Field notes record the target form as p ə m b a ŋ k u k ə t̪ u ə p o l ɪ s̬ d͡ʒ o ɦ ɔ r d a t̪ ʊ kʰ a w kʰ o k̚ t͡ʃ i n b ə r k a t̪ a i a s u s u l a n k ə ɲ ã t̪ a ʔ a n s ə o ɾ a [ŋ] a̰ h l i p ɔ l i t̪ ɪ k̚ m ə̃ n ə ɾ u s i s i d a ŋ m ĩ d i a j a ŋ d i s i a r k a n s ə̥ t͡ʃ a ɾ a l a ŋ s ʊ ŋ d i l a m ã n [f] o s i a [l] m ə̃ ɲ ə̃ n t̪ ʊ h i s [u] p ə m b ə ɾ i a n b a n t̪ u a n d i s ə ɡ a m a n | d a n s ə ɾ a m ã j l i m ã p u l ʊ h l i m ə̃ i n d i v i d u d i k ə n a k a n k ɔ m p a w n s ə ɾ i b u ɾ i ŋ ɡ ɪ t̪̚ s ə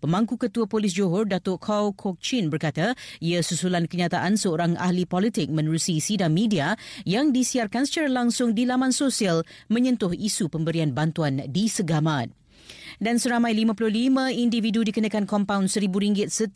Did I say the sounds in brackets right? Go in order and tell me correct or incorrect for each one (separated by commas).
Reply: correct, incorrect, correct, correct